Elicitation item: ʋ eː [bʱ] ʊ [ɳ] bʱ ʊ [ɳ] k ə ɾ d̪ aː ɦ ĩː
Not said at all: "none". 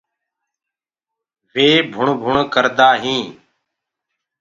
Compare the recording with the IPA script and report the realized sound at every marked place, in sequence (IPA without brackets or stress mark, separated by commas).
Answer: bʱ, ɳ, ɳ